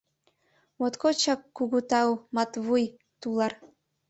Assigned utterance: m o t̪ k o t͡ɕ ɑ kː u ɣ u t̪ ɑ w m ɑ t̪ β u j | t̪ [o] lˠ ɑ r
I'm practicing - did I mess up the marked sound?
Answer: yes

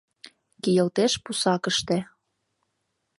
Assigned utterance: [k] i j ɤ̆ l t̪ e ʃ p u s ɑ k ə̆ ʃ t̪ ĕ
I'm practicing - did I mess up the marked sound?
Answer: no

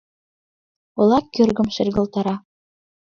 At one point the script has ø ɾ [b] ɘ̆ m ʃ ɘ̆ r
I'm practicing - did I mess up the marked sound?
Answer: yes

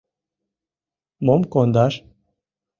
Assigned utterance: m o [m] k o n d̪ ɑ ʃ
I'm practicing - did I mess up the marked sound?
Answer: no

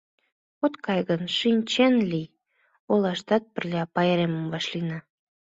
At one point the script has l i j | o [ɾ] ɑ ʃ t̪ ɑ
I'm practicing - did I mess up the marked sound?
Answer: yes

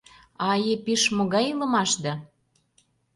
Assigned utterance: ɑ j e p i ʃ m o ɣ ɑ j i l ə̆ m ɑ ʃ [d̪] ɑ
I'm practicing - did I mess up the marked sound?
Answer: no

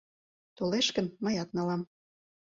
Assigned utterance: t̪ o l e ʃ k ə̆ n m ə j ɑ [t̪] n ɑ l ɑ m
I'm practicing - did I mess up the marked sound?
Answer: no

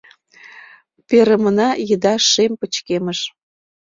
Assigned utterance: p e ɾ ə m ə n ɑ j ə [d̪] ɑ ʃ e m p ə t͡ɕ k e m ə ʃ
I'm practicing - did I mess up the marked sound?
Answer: no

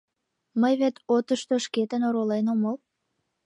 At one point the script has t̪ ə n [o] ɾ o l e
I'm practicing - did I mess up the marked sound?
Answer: no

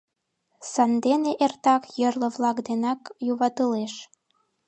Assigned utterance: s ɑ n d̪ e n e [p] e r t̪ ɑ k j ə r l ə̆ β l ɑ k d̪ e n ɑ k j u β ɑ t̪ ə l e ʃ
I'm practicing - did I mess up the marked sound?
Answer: yes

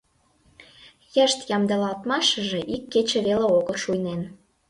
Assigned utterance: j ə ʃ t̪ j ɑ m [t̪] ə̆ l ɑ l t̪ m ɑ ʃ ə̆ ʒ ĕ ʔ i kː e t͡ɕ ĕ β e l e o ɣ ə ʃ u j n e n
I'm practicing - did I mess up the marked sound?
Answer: yes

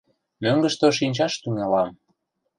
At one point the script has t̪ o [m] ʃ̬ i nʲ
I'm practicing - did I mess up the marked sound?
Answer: yes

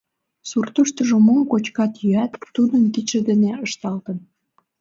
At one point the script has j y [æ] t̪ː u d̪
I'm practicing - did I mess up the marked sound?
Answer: no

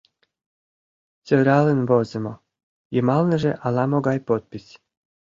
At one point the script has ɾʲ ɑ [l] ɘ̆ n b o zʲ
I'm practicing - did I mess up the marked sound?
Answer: no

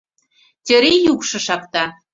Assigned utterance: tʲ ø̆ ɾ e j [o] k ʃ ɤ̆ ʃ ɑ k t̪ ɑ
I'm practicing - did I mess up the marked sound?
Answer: yes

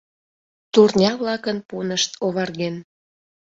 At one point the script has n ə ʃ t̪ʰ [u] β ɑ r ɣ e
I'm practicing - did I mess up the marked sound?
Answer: yes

